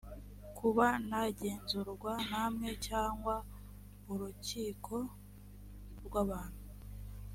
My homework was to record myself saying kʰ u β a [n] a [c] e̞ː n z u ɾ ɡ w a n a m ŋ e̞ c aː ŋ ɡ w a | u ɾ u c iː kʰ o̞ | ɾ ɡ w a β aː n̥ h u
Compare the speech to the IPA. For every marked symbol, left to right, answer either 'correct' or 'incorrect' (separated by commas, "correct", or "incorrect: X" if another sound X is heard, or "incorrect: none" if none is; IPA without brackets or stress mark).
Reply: correct, incorrect: ɟ